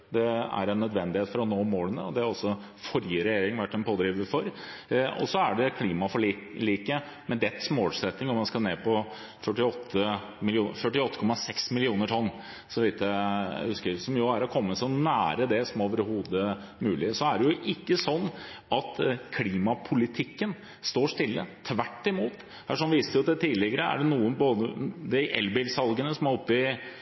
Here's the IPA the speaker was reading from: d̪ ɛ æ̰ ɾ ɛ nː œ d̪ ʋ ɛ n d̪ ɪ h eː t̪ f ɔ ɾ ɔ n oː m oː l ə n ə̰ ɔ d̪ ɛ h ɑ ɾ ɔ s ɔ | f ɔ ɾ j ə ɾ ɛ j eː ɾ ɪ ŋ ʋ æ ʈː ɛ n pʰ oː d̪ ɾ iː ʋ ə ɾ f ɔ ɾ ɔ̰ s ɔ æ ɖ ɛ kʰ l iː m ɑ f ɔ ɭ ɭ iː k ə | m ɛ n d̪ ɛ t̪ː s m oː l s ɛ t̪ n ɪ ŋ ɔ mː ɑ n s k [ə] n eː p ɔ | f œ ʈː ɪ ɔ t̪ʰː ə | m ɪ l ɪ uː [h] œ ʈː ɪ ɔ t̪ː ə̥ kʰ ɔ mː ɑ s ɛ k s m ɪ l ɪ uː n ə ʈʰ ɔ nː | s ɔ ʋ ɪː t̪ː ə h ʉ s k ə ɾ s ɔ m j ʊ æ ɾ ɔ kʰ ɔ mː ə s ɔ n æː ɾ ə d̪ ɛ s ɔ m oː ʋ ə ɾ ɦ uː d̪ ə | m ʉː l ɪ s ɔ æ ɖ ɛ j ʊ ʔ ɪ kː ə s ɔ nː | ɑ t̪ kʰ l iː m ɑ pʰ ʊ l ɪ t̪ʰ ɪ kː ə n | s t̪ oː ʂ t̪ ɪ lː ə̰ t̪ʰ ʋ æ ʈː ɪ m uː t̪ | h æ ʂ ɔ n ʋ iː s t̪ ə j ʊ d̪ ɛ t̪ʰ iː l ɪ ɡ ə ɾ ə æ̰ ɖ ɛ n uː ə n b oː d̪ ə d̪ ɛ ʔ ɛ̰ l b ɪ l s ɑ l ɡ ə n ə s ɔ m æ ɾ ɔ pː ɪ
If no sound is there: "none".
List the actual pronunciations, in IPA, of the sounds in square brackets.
ɑ, f

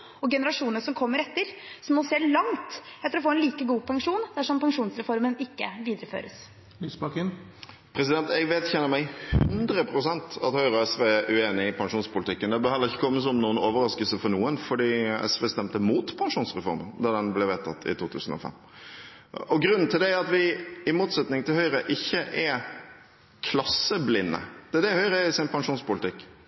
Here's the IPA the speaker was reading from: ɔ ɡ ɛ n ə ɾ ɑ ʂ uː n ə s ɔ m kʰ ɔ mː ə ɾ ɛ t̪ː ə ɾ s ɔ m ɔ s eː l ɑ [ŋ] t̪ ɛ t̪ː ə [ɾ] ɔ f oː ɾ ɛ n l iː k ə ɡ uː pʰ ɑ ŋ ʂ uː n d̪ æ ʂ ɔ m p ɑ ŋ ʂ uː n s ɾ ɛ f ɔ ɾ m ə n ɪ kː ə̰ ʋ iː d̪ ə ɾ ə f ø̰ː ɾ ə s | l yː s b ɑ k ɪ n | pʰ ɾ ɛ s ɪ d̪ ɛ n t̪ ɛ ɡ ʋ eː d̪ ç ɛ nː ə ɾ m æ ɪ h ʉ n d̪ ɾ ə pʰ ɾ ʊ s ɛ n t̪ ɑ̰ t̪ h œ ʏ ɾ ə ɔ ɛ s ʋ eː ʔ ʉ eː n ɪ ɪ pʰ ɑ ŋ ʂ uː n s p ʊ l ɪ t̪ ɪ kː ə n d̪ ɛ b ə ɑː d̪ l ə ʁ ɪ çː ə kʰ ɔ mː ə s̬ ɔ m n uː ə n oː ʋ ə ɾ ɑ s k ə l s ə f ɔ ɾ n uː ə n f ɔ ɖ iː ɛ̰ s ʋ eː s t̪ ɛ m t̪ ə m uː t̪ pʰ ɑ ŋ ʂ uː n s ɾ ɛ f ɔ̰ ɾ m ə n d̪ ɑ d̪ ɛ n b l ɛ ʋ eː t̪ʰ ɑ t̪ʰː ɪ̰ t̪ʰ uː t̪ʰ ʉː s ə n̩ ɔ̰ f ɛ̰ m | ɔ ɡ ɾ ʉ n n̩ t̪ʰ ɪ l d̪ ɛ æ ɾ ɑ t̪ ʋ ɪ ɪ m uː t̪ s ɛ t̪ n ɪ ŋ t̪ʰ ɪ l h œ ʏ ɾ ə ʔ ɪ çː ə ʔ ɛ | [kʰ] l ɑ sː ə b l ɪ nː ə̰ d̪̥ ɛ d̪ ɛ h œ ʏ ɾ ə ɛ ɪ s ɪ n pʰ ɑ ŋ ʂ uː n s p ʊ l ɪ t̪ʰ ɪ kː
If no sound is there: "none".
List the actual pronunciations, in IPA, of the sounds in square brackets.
ŋ, ɾ, kʰ

